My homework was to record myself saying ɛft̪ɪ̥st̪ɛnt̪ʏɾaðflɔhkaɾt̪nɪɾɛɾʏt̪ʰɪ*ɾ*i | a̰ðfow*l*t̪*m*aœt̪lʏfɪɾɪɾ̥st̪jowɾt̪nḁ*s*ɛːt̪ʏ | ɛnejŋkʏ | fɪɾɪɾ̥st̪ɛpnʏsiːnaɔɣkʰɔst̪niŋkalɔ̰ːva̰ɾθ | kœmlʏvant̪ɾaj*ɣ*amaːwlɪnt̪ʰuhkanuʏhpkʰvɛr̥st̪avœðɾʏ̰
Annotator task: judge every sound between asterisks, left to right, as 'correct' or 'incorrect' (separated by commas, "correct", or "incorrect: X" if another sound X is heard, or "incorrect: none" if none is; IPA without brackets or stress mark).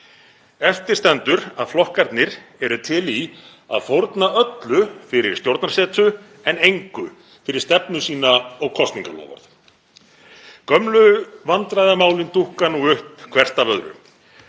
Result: incorrect: l, incorrect: ɾ, incorrect: n, correct, incorrect: ð